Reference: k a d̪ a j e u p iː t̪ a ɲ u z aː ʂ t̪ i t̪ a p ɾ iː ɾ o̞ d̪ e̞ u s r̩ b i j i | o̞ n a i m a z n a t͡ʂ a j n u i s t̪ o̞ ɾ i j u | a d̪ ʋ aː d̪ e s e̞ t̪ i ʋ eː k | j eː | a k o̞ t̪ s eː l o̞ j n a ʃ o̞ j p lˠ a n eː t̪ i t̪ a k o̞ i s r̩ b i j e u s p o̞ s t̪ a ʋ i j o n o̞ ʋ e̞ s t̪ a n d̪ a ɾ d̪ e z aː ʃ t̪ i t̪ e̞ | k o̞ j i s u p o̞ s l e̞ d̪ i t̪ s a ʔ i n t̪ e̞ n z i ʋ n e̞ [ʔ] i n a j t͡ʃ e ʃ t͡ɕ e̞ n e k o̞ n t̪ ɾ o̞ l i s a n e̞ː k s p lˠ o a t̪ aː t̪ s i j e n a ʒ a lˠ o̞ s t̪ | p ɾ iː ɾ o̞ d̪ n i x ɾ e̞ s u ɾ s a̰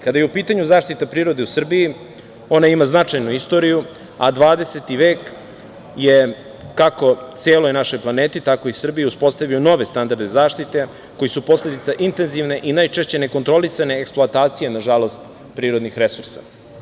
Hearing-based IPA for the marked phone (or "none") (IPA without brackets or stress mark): ʔ